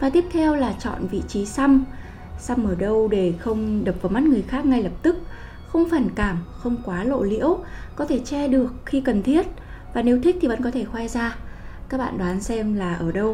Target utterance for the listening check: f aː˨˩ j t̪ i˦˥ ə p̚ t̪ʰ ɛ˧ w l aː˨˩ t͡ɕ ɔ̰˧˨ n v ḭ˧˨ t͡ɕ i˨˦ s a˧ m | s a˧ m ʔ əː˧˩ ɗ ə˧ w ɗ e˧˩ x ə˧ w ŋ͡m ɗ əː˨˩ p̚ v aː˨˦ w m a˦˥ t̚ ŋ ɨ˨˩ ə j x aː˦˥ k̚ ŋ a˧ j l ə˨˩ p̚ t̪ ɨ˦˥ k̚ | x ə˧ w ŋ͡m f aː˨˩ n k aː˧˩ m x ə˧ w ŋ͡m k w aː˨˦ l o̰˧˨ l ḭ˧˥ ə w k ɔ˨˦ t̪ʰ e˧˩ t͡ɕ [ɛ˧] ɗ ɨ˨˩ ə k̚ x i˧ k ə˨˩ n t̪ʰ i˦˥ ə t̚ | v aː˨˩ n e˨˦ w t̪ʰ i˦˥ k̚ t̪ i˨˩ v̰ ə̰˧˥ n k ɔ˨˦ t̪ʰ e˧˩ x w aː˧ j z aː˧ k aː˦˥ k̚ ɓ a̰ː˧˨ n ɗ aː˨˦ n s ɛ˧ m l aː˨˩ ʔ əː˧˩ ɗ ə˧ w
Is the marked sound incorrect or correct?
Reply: correct